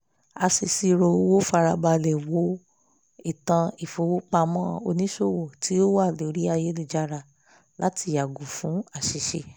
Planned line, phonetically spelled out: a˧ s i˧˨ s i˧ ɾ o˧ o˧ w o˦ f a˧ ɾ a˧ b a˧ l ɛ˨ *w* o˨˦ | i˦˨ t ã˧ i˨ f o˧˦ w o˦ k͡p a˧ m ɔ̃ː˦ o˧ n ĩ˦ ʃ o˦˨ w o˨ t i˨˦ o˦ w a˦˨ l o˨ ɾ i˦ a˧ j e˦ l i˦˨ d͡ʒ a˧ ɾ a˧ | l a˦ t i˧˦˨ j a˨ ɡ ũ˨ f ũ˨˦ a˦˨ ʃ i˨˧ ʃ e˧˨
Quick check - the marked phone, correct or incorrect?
correct